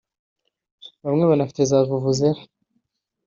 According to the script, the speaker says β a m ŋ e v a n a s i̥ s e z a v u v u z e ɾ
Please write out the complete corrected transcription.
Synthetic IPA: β a m ŋ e β a n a f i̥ t e z a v u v u z e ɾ